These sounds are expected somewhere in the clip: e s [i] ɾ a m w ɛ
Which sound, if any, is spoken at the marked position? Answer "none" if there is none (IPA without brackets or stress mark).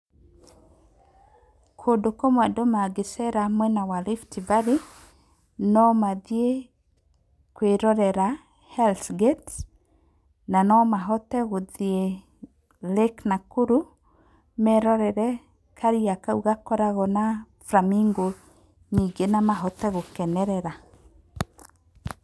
ɛ